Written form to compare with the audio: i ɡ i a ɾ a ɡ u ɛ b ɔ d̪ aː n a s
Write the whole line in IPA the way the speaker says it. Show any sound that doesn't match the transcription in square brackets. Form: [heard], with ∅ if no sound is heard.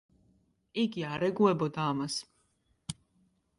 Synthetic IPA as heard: i ɡ i a ɾ [ɛ] ɡ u ɛ b ɔ d̪ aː [m] a s